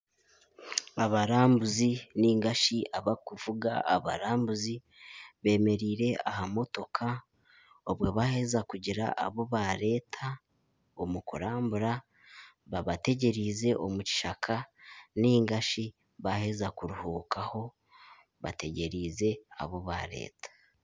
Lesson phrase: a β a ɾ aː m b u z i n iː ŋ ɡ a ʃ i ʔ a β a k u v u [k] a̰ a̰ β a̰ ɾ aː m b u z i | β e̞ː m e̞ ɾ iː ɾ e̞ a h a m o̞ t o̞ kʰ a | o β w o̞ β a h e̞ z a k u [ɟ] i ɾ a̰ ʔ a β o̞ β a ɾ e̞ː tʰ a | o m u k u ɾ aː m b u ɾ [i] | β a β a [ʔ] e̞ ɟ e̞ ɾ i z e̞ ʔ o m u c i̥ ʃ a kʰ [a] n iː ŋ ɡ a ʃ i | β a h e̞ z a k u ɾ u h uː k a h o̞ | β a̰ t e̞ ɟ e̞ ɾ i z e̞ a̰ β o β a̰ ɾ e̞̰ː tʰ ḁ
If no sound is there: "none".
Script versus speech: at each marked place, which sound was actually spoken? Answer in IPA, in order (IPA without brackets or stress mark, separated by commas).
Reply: ɡ, ɟ, a, t, a